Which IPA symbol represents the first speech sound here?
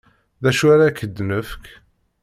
ð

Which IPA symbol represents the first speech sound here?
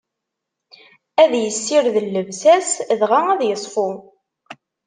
æ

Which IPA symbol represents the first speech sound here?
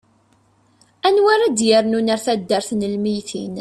æ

